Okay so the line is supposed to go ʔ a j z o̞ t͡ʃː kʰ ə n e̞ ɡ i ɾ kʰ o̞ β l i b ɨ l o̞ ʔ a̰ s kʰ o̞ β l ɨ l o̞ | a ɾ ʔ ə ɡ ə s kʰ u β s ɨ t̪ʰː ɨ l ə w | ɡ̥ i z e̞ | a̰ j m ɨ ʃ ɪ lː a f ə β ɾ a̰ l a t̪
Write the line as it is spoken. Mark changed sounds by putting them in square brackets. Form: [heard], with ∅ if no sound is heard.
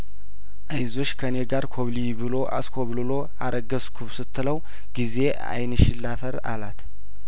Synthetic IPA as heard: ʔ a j z o̞ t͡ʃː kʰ ə n e̞ ɡ [a] ɾ kʰ o̞ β l i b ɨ l o̞ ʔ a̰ s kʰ o̞ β l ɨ l o̞ | a ɾ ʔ ə ɡ ə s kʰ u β s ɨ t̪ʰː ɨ l ə w | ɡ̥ i z e̞ | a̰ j [n] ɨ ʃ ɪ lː a f ə [∅] ɾ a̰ l a t̪